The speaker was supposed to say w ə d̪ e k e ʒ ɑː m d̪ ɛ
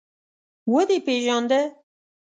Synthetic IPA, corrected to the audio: w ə d̪ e p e ʒ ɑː n d̪ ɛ